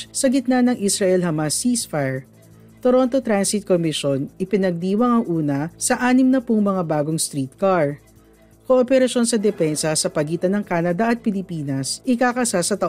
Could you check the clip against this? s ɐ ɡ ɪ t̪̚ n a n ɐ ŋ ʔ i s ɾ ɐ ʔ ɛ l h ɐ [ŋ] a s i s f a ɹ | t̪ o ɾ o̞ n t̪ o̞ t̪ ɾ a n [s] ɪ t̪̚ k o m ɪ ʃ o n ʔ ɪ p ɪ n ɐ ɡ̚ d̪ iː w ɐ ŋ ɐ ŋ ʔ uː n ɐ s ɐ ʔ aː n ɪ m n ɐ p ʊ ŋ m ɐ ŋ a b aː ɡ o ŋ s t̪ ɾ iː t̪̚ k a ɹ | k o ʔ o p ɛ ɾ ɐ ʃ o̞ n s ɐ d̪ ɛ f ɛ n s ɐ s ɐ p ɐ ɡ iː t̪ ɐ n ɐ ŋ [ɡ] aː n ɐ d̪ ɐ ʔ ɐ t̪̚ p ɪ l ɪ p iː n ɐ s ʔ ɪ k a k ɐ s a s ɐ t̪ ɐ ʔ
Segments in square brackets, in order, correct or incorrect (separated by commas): incorrect, correct, incorrect